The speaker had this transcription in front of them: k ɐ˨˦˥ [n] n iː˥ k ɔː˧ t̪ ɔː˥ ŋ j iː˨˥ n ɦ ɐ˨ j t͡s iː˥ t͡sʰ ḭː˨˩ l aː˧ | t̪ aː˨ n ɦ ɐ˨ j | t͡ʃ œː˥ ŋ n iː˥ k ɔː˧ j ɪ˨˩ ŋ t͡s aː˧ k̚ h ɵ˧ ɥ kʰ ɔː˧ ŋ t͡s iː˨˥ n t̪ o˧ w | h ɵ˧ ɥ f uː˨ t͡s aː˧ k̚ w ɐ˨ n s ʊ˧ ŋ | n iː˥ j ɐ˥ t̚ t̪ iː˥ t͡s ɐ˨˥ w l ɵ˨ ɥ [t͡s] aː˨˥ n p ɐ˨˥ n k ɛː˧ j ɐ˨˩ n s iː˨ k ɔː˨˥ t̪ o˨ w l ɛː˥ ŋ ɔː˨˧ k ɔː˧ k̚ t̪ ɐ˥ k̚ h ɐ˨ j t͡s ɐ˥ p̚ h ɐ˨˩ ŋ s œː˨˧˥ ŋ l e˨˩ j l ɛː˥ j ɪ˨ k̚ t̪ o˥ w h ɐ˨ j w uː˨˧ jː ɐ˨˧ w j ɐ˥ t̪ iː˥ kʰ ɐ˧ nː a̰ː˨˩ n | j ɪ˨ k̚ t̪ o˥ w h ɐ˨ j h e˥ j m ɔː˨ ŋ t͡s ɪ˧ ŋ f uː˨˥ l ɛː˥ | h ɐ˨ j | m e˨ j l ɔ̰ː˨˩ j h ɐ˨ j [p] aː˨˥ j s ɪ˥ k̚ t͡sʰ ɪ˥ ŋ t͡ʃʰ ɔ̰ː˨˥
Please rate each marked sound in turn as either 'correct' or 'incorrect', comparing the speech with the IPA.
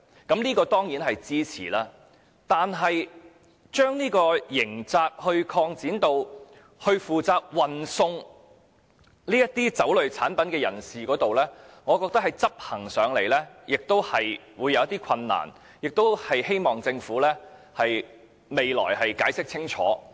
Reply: incorrect, incorrect, incorrect

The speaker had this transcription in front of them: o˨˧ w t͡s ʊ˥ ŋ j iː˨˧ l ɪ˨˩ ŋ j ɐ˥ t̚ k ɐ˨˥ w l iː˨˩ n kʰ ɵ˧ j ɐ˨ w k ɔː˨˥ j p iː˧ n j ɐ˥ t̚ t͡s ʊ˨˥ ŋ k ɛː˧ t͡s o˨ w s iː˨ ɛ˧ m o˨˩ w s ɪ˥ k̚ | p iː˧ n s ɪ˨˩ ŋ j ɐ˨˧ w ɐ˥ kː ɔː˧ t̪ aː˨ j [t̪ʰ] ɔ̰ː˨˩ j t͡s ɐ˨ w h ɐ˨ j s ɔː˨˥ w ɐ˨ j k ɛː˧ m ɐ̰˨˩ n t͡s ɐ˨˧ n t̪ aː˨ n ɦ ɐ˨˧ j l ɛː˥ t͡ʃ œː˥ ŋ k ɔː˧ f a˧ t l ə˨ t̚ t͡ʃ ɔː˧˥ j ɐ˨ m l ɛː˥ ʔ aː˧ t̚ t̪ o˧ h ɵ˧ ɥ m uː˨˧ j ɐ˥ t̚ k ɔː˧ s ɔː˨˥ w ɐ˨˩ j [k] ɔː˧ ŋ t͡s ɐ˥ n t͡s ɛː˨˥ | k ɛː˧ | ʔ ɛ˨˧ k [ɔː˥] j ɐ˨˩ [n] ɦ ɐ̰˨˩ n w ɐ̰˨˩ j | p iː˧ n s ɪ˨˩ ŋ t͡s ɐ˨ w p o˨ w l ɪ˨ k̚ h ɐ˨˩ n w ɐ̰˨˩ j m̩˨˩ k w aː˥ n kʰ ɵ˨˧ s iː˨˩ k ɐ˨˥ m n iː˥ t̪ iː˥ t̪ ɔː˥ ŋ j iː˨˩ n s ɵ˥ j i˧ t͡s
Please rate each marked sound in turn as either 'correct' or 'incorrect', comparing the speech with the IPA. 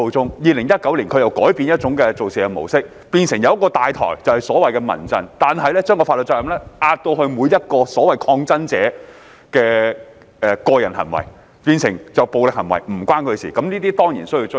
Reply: correct, incorrect, incorrect, correct

